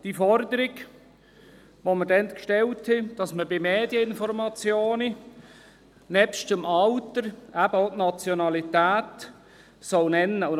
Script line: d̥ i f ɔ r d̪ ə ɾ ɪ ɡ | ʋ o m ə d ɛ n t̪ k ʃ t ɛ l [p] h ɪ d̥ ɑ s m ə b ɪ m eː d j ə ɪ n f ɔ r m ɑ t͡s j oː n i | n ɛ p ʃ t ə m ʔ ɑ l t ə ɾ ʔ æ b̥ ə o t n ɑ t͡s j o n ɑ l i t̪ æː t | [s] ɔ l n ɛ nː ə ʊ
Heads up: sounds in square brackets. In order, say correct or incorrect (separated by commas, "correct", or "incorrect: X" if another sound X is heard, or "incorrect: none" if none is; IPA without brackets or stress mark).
incorrect: t, correct